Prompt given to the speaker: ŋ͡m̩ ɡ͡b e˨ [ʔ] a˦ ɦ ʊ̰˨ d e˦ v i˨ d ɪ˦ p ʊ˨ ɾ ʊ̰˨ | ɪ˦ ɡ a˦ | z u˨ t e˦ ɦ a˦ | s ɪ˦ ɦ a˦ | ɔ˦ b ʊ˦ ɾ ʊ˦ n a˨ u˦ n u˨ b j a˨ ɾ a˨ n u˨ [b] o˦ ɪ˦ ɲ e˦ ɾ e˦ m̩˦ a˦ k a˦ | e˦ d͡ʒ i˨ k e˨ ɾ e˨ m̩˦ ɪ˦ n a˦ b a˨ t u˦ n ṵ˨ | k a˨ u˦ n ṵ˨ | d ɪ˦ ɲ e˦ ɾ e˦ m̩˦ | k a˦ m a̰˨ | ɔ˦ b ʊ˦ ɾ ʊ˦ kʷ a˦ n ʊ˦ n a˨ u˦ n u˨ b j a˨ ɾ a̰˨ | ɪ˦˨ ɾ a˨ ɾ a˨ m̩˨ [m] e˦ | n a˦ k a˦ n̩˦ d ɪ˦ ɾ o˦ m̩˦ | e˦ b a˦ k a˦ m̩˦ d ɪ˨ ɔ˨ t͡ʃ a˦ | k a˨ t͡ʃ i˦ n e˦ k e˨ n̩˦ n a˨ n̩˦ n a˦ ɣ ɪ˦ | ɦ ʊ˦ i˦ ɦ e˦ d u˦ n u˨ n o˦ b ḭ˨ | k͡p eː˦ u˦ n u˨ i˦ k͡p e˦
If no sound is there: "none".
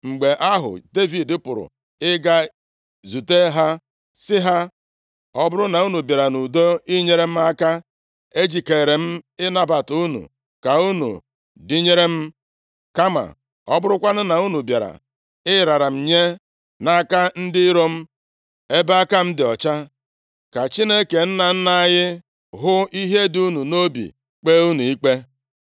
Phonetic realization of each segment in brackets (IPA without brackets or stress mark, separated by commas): ʔ, d, ɲ